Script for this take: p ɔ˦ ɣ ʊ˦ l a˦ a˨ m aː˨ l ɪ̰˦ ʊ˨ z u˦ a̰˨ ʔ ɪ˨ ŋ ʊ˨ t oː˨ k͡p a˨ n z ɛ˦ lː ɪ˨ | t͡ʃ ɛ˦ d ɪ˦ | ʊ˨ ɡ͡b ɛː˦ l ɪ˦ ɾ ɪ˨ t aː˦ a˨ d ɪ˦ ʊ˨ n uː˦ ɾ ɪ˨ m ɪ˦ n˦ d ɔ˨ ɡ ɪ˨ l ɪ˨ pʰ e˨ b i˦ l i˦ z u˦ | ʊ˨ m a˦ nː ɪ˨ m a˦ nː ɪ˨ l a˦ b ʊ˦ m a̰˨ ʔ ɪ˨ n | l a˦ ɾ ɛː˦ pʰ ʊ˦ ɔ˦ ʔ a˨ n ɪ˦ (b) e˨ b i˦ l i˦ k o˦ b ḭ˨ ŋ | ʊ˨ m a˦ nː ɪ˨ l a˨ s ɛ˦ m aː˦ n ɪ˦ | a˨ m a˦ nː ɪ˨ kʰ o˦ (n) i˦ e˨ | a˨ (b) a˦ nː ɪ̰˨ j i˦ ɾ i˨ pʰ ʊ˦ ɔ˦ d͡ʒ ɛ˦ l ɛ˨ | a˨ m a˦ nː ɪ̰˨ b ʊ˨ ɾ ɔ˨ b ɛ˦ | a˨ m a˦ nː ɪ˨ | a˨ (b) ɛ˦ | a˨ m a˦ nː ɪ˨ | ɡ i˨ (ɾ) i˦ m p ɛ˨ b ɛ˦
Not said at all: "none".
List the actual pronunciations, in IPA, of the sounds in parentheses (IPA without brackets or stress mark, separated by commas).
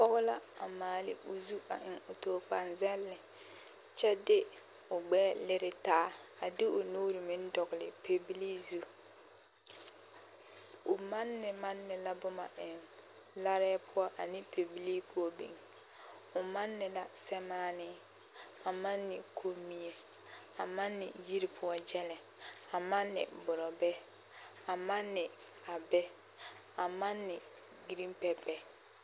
p, m, m, b, ɾ